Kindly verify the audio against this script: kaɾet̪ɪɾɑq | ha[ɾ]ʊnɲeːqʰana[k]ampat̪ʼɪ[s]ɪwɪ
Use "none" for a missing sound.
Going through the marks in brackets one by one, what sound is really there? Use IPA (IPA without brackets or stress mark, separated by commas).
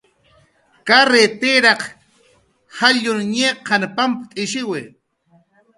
ʎ, p, ʃ